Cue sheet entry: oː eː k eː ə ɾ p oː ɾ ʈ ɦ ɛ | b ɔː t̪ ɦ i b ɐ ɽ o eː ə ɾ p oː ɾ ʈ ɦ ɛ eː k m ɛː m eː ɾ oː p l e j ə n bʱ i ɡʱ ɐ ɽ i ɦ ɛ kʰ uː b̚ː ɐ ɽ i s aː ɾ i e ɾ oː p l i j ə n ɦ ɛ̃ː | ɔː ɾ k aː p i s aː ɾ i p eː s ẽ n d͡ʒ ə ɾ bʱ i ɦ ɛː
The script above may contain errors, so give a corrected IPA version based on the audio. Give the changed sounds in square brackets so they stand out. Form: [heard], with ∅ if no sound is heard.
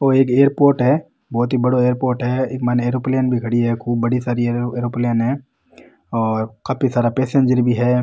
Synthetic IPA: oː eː k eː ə ɾ p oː ɾ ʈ ɦ ɛ | b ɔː t̪ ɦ i b ɐ ɽ o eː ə ɾ p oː ɾ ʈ ɦ ɛ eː k m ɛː [n] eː ɾ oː p l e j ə n bʱ i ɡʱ ɐ ɽ i ɦ ɛ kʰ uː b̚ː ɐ ɽ i s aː ɾ i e ɾ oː p l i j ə n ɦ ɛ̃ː | ɔː ɾ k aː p i s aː ɾ [a] p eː s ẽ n d͡ʒ ə ɾ bʱ i ɦ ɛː

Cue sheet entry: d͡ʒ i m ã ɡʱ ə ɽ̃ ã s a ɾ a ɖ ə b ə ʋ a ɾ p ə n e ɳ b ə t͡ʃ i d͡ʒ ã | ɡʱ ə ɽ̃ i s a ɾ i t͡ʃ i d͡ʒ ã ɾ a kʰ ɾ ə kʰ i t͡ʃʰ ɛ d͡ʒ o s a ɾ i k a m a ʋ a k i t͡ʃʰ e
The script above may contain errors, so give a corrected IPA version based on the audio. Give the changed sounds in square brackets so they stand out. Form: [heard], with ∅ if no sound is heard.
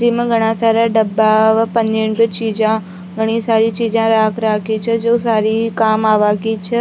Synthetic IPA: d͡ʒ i m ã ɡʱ ə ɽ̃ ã s a ɾ a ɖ ə b [a] ʋ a [∅] p ə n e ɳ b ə t͡ʃ i d͡ʒ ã | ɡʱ ə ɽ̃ i s a ɾ i t͡ʃ i d͡ʒ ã ɾ a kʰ ɾ [a] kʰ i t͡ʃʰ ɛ d͡ʒ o s a ɾ i k a m a ʋ a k i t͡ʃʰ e

